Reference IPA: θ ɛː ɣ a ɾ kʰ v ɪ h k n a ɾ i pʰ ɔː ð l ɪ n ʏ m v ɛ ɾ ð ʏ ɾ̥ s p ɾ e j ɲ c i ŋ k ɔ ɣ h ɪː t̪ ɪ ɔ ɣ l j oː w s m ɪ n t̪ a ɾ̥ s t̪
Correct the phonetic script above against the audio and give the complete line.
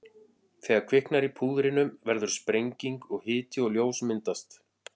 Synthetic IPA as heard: θ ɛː ɣ a ɾ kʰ v ɪ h k n a ɾ i pʰ uː ð ɾ ɪ n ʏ m v ɛ ɾ ð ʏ ɾ̥ s p ɾ e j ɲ c i ŋ k ɔ ɣ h ɪː t̪ ɪ ɔ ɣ l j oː w s m ɪ n t̪ a s t̪